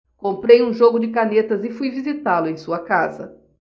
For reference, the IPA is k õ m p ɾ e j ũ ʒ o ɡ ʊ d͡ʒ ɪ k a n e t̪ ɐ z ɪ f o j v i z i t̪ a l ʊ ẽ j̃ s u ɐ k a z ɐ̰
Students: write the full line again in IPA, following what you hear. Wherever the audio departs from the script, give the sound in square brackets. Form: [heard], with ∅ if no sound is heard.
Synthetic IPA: k õ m p ɾ e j ũ ʒ o ɡ ʊ d͡ʒ ɪ k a n e t̪ ɐ z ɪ f [u] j v i z i t̪ a l ʊ ẽ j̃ s u ɐ k a z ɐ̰